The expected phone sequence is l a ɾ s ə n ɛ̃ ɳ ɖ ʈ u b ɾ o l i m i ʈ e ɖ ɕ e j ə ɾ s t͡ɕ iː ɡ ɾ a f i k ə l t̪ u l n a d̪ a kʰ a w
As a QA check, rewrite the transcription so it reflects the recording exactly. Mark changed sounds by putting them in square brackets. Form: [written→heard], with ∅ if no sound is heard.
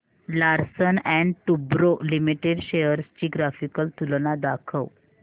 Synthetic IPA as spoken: l a ɾ s ə n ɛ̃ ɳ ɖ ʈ u b ɾ o l i m i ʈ e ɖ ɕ e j ə ɾ s t͡ɕ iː ɡ ɾ a f i k ə l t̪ u l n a d̪ a kʰ [a→ə] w